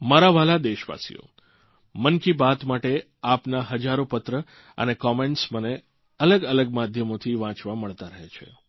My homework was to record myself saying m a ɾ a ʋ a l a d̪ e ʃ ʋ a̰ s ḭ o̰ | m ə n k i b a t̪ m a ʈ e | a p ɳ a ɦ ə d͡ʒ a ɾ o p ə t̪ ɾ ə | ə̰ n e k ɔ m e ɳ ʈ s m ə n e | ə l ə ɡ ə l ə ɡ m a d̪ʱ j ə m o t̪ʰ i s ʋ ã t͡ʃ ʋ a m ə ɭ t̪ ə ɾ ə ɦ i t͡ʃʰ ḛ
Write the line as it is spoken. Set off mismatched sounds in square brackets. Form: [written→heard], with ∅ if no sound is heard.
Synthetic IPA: m a ɾ a ʋ a l a d̪ e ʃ ʋ a̰ s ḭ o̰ | m ə n k i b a t̪ m a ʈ e | a p [ɳ→n] a ɦ ə d͡ʒ a ɾ o p ə t̪ ɾ ə | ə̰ n e k ɔ m e ɳ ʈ s m ə n e | ə l ə ɡ ə l ə ɡ m a d̪ʱ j ə m o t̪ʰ i [s→∅] ʋ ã t͡ʃ ʋ a m ə ɭ t̪ [ə→a] ɾ ə ɦ [i→e] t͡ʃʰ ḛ

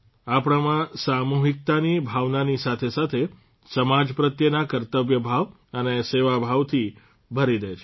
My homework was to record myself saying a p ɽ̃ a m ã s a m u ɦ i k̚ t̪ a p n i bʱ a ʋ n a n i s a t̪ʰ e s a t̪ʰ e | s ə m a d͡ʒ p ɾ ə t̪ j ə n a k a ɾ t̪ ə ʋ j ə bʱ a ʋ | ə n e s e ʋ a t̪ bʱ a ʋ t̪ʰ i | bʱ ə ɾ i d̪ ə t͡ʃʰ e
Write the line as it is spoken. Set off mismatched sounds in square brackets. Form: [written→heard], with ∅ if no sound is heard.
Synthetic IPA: a p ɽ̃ a m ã s a m u ɦ i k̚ t̪ a [p→∅] n i bʱ a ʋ n a n i s a t̪ʰ e s a t̪ʰ e | s ə m a d͡ʒ p ɾ ə t̪ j ə n a k [a→ə] ɾ t̪ ə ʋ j ə bʱ a ʋ | ə n e s e ʋ a [t̪→∅] bʱ a ʋ t̪ʰ i | bʱ ə ɾ i d̪ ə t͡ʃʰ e

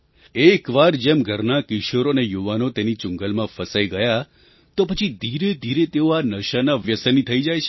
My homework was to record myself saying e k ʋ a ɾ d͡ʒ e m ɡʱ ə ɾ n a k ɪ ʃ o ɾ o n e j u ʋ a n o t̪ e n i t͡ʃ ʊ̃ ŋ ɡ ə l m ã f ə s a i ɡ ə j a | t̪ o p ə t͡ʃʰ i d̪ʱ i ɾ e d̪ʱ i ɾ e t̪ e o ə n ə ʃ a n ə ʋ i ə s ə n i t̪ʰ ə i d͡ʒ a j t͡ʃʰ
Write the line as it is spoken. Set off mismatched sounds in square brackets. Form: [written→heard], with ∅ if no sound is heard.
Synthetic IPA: e k ʋ a ɾ d͡ʒ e m ɡʱ ə ɾ n a k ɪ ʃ o ɾ o n e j u ʋ a n o t̪ e n i t͡ʃ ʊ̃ ŋ ɡ ə l m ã f ə s a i ɡ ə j a | t̪ o p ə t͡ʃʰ i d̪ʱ i ɾ e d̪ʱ i ɾ e t̪ e o [ə→a] n ə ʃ a n [ə→a] ʋ [i→j] ə s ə n i t̪ʰ ə i d͡ʒ a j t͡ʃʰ

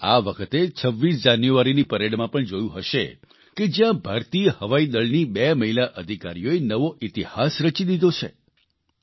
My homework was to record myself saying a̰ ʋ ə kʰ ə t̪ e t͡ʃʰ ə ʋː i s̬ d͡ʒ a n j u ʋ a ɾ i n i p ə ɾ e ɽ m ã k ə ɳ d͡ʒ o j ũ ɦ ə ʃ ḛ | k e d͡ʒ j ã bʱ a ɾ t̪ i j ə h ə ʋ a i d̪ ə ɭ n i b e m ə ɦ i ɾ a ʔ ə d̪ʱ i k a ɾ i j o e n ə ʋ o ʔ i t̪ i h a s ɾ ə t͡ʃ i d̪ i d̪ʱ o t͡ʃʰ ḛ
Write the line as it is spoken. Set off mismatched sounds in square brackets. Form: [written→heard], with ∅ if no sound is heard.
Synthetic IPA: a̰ ʋ ə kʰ ə t̪ e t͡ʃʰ ə ʋː i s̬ d͡ʒ a n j u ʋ a ɾ i n i p ə ɾ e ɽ m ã [k→p] ə ɳ d͡ʒ o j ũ ɦ ə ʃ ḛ | k e d͡ʒ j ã bʱ a ɾ t̪ i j ə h ə ʋ a i d̪ ə ɭ n i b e m ə ɦ i [ɾ→l] a ʔ ə d̪ʱ i k a ɾ i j o e n ə ʋ o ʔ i t̪ i h a s ɾ ə t͡ʃ i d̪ i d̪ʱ o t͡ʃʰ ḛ

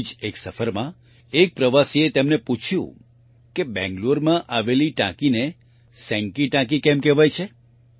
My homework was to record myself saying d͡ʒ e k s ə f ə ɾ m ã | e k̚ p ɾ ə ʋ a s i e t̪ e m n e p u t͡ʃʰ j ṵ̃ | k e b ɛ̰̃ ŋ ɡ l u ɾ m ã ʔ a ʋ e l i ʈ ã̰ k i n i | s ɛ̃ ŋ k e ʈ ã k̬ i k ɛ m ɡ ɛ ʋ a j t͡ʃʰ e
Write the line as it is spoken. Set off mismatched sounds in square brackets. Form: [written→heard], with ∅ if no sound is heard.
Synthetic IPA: d͡ʒ e k s ə f ə ɾ m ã | e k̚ p ɾ ə ʋ a s i e t̪ e m n e p u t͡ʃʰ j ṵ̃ | k e b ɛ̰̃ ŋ ɡ l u ɾ m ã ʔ a ʋ e l i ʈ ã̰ k i n [i→e] | s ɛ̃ ŋ k [e→i] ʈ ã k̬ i k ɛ m [ɡ→k] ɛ ʋ a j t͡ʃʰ e

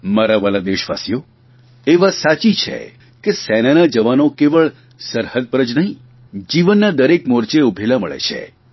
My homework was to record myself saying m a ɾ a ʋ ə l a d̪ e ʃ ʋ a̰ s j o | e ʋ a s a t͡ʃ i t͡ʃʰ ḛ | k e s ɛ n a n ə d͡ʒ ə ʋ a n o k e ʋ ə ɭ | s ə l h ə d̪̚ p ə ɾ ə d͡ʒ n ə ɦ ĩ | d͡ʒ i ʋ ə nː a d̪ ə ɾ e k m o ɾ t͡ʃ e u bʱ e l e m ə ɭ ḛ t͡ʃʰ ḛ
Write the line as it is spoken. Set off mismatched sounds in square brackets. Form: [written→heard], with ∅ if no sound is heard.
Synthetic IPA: m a ɾ a ʋ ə l a d̪ e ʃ ʋ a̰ s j o | e ʋ a s a t͡ʃ i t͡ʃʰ ḛ | k e s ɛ n a n [ə→a] d͡ʒ ə ʋ a n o k e ʋ ə ɭ | s ə [l→ɾ] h ə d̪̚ p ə ɾ ə d͡ʒ n ə ɦ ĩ | d͡ʒ i ʋ ə nː a d̪ ə ɾ e k m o ɾ t͡ʃ e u bʱ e l [e→a] m ə ɭ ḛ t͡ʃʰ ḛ

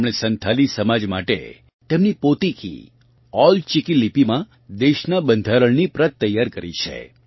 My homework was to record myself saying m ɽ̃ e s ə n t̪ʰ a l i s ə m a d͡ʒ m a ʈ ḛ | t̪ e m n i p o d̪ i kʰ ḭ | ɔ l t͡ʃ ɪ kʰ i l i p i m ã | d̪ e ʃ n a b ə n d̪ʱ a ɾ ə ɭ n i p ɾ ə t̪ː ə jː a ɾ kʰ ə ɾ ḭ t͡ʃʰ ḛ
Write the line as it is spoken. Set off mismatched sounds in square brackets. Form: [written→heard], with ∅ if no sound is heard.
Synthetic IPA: m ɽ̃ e s ə n t̪ʰ a l i s ə m a d͡ʒ m a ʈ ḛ | t̪ e m n i p o [d̪→t̪] i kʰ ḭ | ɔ l t͡ʃ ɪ [kʰ→k] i l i p i m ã | d̪ e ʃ n a b ə n d̪ʱ a ɾ ə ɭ n i p ɾ ə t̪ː ə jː a ɾ [kʰ→k] ə ɾ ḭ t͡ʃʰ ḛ

